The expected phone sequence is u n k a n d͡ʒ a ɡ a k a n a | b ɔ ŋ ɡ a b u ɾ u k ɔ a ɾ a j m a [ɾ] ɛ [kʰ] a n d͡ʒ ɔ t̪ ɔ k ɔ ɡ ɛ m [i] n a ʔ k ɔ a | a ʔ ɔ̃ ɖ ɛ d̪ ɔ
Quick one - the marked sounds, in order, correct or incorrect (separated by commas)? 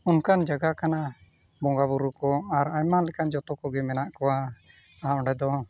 incorrect, incorrect, incorrect